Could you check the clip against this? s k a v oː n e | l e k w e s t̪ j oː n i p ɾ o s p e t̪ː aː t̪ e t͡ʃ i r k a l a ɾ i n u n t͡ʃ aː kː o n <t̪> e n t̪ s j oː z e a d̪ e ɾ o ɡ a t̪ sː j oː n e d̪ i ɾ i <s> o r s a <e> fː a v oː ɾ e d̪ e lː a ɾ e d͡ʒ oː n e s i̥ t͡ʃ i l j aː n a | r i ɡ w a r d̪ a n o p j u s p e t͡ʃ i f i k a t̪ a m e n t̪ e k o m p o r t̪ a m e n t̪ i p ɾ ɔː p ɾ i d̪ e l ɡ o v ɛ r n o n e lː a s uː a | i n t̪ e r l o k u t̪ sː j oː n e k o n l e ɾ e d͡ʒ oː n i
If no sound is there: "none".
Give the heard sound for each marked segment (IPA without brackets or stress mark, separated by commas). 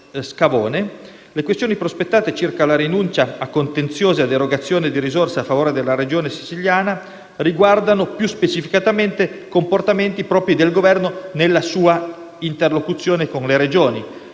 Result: t̪, z, a